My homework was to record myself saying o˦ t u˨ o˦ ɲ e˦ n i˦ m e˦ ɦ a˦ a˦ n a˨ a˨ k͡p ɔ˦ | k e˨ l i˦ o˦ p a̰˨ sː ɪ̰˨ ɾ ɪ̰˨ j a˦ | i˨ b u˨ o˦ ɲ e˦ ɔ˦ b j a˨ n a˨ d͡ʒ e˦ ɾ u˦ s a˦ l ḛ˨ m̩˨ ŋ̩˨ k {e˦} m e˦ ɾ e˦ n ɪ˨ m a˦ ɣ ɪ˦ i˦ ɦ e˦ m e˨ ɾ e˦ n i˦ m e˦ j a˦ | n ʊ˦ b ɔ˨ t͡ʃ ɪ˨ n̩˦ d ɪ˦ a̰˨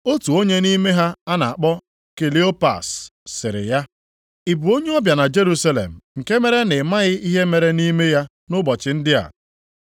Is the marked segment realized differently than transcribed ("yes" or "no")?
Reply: no